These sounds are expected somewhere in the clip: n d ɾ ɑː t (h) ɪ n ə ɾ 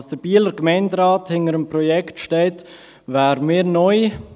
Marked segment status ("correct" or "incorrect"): correct